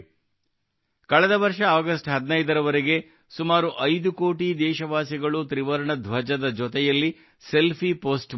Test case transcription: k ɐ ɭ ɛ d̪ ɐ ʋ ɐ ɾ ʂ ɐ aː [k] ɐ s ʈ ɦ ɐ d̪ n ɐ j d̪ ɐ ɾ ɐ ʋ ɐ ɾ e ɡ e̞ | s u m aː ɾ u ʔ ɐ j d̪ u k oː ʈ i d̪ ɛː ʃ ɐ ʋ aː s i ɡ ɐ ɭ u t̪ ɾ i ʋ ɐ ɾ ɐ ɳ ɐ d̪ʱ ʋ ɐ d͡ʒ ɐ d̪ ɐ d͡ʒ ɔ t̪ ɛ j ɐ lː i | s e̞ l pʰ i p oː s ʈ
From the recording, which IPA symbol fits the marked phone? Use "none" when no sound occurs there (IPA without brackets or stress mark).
ɡ